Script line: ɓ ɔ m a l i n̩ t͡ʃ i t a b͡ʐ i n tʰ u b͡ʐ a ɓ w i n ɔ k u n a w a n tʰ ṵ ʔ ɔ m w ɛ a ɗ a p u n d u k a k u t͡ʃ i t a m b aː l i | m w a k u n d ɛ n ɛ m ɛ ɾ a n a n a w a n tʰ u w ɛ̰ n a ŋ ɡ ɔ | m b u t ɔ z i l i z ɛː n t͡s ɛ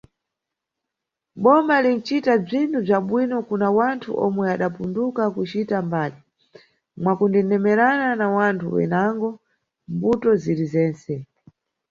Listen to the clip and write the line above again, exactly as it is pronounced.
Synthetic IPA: ɓ ɔ m a l i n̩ t͡ʃ i t a b͡ʐ i n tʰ u b͡ʐ a ɓ w i n ɔ k u n a w a n tʰ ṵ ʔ ɔ m w ɛ a ɗ a p u n d u k a k u t͡ʃ i t a m b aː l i | m w a k u n d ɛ n ɛ m ɛ ɾ a n a n a w a n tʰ u w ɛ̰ n a ŋ ɡ ɔ | m b u t ɔ z i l i z ɛː n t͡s ɛ